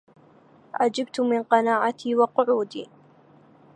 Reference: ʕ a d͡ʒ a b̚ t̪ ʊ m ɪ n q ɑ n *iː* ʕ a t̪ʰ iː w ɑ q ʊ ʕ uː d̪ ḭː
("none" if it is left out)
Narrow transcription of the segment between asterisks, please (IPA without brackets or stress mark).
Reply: aː